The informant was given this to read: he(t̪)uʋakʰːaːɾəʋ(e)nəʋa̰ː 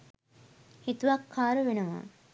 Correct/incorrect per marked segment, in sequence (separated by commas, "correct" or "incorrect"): correct, correct